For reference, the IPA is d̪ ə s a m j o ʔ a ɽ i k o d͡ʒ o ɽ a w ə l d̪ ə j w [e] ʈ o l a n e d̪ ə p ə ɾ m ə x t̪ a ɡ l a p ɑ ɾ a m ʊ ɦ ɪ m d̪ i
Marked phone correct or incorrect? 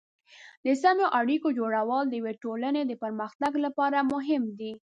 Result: correct